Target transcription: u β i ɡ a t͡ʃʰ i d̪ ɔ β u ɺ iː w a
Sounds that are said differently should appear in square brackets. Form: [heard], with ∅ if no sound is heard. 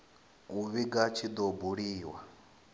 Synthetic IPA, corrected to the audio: u β i ɡ a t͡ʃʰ i d̪ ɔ [b] u ɺ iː w a